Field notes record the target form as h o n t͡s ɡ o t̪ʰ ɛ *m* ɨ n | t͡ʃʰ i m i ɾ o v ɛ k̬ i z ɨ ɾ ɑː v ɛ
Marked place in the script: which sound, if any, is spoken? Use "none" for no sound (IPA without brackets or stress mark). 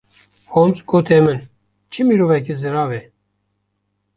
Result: m